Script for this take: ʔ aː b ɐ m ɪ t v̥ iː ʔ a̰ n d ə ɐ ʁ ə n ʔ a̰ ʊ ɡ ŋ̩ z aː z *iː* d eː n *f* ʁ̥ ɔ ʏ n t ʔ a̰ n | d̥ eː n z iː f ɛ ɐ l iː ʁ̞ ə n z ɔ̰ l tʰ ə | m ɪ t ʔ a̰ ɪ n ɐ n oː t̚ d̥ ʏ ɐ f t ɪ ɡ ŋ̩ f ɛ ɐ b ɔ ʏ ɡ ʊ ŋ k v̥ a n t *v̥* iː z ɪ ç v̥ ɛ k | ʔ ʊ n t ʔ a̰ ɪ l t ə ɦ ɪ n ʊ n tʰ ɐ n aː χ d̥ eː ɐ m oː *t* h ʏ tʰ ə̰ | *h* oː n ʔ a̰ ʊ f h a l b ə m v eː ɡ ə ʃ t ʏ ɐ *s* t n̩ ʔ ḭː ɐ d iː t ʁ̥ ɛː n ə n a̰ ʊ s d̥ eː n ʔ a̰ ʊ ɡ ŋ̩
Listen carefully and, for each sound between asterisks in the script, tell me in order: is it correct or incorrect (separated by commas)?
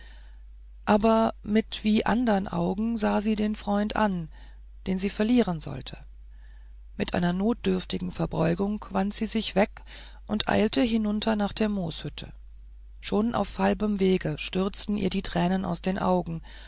correct, correct, incorrect, incorrect, incorrect, incorrect